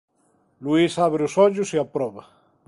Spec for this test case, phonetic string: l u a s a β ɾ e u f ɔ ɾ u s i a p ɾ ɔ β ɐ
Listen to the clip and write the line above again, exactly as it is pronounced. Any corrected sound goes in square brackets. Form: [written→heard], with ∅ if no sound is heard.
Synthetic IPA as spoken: l u [a→i] s a β ɾ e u [f→s] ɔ [ɾ→ʎ] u s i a p ɾ ɔ β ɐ